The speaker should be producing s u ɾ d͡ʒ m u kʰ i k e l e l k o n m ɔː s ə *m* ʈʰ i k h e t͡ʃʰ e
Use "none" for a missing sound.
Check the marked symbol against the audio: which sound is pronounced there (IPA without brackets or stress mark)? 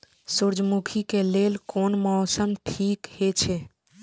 m